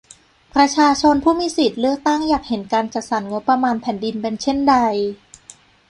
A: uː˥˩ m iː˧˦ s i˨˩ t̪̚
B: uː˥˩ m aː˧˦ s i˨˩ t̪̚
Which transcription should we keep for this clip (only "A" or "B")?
A